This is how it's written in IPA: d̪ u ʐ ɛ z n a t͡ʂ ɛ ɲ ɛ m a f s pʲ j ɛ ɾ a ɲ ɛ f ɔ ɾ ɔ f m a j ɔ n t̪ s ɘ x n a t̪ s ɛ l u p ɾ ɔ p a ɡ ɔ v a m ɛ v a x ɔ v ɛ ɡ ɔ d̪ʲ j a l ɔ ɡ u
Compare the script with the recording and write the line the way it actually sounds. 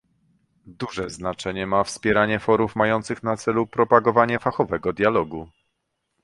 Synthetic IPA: d̪ u ʐ ɛ z n a t͡ʂ ɛ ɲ ɛ m a f s pʲ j ɛ ɾ a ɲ ɛ f ɔ ɾ u f m a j ɔ n t̪ s ɘ x n a t̪ s ɛ l u p ɾ ɔ p a ɡ ɔ v a ɲ ɛ f a x ɔ v ɛ ɡ ɔ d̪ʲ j a l ɔ ɡ u